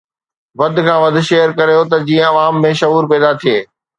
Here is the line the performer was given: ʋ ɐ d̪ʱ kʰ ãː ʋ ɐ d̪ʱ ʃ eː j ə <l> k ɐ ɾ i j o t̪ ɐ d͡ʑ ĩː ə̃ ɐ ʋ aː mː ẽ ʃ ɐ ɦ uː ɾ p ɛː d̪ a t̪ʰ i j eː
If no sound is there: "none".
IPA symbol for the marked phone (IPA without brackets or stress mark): ɾ